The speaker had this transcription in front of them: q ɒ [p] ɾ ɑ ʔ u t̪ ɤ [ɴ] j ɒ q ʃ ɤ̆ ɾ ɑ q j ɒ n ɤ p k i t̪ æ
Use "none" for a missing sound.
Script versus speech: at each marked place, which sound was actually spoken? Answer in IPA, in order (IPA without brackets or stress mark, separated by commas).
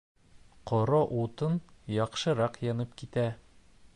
none, n